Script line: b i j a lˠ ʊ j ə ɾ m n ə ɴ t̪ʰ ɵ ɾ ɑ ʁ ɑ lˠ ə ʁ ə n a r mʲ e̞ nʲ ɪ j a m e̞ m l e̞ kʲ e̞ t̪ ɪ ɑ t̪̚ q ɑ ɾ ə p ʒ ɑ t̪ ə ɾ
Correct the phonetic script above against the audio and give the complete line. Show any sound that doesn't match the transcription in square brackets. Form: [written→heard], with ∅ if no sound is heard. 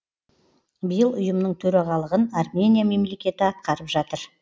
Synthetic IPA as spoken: b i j [a→ə] lˠ ʊ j ə [ɾ→∅] m n ə ɴ t̪ʰ ɵ ɾ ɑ ʁ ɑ lˠ ə ʁ ə n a r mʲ e̞ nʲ [ɪ→i] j a m e̞ m l e̞ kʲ e̞ t̪ ɪ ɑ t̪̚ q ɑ ɾ ə p ʒ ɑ t̪ ə ɾ